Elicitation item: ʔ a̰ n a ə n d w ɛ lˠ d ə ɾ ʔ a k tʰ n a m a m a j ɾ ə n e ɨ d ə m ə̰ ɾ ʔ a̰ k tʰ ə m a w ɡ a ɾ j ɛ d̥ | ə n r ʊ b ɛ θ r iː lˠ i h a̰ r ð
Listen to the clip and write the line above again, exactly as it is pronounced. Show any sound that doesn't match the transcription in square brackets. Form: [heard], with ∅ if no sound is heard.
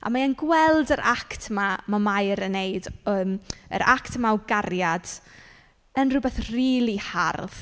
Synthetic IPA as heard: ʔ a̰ [m] a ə n [ɡ] w ɛ lˠ d ə ɾ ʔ a k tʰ [m] a m a m a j ɾ ə n e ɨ d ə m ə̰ ɾ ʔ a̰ k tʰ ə m a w ɡ a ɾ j [a] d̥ | ə n r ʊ b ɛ θ r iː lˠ i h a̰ r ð